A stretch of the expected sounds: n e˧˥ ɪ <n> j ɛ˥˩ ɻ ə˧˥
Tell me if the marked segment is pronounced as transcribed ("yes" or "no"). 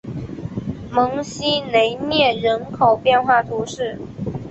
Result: yes